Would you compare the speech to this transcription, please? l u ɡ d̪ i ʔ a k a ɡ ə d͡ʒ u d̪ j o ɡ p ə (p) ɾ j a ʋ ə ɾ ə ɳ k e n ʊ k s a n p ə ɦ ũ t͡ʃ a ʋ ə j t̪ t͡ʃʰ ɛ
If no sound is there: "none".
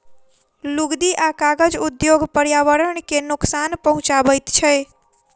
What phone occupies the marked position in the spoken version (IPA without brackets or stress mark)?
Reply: none